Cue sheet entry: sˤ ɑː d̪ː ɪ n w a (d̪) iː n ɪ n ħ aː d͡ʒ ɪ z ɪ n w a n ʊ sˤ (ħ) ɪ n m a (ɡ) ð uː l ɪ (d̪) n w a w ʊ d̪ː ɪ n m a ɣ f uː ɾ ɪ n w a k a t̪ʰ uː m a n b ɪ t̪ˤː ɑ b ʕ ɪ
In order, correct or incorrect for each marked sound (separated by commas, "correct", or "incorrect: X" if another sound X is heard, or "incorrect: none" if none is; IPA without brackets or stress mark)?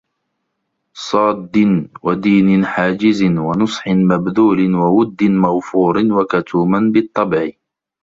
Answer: correct, correct, incorrect: b, incorrect: none